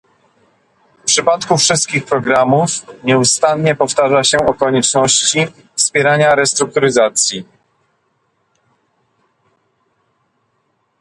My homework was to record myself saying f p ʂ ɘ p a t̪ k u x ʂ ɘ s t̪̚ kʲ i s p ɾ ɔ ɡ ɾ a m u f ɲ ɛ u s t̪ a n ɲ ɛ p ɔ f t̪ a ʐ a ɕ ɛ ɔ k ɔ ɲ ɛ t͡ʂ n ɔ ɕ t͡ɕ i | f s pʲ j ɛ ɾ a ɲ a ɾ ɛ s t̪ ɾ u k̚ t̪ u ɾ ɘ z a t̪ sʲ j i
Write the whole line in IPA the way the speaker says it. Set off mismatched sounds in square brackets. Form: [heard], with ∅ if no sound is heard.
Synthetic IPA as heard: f p ʂ ɘ p a t̪ k u [f] ʂ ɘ s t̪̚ kʲ i [x] p ɾ ɔ ɡ ɾ a m u f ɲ ɛ u s t̪ a n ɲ ɛ p ɔ f t̪ a ʐ a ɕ ɛ ɔ k ɔ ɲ ɛ t͡ʂ n ɔ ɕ t͡ɕ i | f s pʲ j ɛ ɾ a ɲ a ɾ ɛ s t̪ ɾ u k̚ t̪ u ɾ ɘ z a t̪ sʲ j i